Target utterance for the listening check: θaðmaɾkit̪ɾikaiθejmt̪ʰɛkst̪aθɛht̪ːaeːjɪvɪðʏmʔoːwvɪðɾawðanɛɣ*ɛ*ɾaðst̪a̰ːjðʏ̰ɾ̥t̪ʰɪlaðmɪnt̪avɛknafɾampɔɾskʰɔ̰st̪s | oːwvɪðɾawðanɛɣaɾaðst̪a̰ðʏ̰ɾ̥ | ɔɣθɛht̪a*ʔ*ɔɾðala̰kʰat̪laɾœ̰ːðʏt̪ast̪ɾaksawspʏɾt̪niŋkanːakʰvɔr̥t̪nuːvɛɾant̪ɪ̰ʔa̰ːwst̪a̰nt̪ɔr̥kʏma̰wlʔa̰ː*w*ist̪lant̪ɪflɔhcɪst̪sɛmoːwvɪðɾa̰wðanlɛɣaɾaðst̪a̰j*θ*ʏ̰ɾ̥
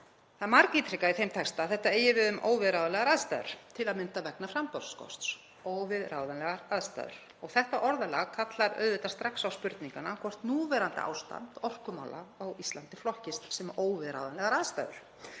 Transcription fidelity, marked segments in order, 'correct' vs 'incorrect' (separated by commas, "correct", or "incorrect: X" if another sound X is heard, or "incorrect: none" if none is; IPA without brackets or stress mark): incorrect: a, correct, correct, incorrect: ð